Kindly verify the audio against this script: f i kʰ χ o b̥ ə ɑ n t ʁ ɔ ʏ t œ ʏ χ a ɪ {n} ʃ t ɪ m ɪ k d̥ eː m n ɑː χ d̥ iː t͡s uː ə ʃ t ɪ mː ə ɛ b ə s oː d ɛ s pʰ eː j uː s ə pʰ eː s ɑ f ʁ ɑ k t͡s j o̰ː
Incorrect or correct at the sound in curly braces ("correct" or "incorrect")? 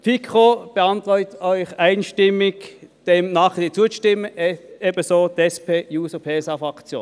correct